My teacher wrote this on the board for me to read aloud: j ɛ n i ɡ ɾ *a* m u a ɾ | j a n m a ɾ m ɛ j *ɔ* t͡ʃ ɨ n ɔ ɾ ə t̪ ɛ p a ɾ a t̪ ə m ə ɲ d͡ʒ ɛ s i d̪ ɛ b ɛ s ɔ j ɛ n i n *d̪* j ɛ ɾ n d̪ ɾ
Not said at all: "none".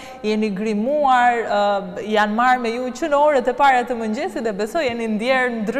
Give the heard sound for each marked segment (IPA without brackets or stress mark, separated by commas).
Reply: i, u, d̪